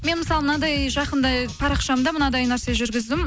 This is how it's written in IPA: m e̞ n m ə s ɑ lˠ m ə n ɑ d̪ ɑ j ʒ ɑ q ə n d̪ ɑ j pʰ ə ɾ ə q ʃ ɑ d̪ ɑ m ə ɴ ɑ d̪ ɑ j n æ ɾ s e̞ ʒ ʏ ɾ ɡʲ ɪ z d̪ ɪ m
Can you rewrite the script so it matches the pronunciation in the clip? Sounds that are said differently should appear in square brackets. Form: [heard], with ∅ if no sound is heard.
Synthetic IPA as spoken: m e̞ n m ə s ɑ lˠ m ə n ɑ d̪ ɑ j ʒ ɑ q ə n d̪ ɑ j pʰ [ɑ] ɾ [ɑ] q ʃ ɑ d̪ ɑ m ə [n] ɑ d̪ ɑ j n æ ɾ s e̞ ʒ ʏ ɾ ɡʲ ɪ z d̪ ɪ m